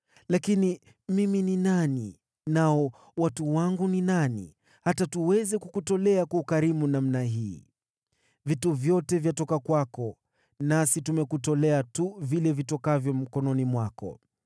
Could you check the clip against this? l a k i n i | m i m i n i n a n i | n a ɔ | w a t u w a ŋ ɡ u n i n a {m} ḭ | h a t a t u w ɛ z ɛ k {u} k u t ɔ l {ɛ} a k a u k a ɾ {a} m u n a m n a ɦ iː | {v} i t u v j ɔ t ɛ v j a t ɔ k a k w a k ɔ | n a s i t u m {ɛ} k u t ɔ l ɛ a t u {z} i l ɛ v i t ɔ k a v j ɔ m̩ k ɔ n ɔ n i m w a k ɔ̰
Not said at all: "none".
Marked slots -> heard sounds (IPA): n, u, ɛ, i, v, ɛ, v

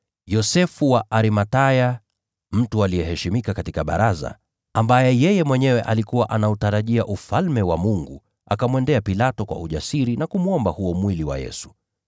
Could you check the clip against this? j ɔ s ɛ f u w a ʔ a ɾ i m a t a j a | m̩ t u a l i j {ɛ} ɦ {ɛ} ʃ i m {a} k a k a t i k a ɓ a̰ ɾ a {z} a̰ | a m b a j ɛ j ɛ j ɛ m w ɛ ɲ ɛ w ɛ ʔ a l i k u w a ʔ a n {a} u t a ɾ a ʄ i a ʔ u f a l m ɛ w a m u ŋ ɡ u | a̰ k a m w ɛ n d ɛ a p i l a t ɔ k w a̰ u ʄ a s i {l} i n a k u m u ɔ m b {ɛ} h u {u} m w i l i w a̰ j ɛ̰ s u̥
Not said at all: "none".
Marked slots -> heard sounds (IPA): ɛ, ɛ, i, z, a, ɾ, a, ɔ

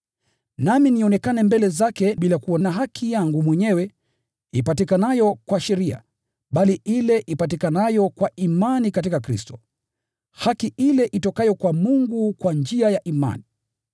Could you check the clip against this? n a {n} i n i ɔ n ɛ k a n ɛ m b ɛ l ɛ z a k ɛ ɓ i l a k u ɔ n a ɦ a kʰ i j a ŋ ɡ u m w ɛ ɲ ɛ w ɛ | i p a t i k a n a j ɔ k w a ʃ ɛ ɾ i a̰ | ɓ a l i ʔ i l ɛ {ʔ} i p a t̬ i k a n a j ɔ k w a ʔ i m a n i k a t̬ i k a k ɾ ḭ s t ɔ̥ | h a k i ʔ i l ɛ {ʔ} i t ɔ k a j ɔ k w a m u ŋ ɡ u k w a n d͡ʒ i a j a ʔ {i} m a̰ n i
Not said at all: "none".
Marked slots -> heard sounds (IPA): m, ʔ, ʔ, i

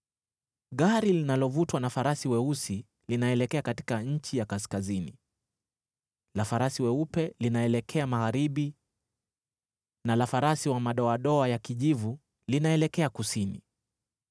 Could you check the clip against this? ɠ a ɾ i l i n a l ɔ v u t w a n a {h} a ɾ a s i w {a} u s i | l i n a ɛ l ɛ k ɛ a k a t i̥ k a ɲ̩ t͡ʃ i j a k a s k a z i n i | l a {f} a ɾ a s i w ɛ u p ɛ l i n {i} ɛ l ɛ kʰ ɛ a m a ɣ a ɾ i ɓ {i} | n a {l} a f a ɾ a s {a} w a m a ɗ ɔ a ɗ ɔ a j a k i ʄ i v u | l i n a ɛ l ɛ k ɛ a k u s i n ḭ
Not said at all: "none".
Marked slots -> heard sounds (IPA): f, ɛ, f, a, i, l, i

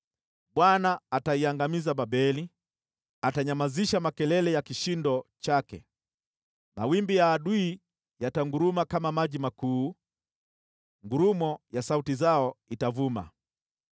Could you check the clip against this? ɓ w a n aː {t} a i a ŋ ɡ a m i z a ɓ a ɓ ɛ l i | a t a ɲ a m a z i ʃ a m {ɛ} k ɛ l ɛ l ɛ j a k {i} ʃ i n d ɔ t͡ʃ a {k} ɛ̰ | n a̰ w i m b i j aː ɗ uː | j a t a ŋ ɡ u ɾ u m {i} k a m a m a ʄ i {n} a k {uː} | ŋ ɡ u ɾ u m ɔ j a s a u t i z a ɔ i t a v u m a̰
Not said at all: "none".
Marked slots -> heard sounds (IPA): t, a, i, k, a, m, uː

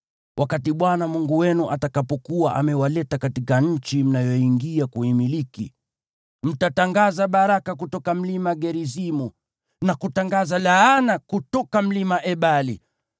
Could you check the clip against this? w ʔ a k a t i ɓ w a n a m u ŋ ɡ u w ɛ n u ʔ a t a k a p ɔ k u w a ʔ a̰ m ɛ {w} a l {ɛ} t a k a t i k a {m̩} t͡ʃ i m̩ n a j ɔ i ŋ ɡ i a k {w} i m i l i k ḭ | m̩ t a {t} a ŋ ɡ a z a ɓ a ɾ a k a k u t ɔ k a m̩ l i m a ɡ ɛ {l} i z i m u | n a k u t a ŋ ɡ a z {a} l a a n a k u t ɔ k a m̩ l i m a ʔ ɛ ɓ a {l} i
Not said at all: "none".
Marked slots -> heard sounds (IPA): w, ɛ, ɲ̩, u, t, ɾ, a, l

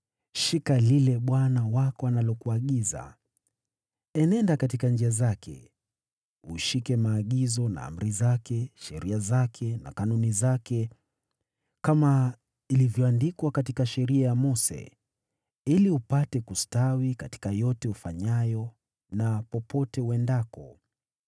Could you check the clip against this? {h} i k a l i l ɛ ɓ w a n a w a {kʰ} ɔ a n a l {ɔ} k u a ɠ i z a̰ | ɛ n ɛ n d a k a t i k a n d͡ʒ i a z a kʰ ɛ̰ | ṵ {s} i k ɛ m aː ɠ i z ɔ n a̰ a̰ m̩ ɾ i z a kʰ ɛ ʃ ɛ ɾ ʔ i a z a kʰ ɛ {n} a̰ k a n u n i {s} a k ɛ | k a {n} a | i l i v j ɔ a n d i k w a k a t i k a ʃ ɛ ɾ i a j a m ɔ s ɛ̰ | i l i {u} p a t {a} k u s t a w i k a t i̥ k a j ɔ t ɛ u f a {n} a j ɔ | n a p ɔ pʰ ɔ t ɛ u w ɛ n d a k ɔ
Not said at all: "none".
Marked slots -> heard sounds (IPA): ʃ, k, ɔ, ʃ, n, z, m, u, ɛ, ɲ

